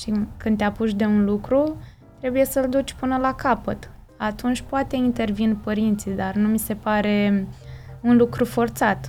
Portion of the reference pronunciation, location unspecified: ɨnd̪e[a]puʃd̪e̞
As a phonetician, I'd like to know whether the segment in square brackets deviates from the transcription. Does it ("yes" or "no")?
no